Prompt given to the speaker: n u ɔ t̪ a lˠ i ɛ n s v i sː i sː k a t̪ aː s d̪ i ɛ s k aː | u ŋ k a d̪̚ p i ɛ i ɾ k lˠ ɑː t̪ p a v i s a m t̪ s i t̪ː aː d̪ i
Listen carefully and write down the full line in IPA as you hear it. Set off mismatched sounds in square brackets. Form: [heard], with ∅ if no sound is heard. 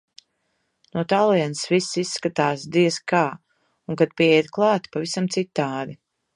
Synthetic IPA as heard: n u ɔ t̪ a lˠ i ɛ n s v i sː i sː k a t̪ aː s d̪ i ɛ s k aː | u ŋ k a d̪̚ p i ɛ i ɾ k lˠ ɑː t̪ p a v i s a m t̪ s i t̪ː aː d̪ i